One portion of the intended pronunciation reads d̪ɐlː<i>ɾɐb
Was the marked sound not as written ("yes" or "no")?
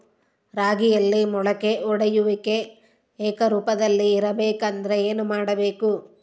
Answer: yes